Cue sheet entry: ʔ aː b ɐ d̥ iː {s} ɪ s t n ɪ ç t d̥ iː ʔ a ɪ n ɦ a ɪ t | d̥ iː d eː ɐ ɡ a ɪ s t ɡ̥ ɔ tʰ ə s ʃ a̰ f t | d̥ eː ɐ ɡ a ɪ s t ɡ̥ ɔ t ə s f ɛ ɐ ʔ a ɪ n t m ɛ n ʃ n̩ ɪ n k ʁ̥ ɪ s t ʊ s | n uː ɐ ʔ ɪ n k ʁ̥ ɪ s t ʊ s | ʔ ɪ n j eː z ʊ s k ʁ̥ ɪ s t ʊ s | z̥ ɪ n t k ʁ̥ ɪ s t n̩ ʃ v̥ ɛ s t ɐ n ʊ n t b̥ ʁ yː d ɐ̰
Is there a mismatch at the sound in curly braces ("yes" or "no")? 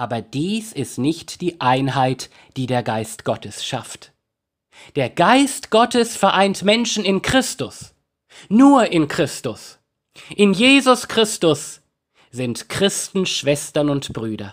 no